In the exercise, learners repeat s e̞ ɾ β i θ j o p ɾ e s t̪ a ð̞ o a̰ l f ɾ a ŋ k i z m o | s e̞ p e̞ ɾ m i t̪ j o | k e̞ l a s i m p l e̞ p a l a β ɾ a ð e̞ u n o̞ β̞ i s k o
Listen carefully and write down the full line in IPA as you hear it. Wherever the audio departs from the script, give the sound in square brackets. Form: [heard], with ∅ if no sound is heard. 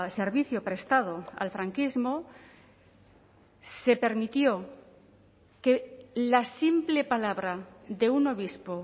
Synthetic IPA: s e̞ ɾ β i θ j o p ɾ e s t̪ a ð̞ o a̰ l f ɾ a ŋ k i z m o | s e̞ p e̞ ɾ m i t̪ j o | k e̞ l a s i m p l e̞ p a l a β ɾ a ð e̞ u n o̞ β̞ i s [p] o